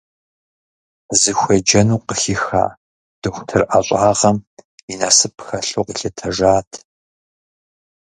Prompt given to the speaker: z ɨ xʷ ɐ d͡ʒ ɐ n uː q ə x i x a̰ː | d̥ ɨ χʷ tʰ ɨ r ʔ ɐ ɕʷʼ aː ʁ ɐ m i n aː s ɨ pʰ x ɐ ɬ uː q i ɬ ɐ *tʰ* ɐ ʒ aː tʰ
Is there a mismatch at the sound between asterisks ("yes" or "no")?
no